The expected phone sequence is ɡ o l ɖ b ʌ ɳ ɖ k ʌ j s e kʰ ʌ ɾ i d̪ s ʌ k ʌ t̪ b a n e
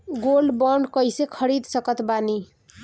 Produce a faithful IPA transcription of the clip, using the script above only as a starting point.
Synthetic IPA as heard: ɡ o l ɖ b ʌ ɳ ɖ k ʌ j s e kʰ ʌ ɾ i d̪ s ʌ k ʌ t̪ b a n i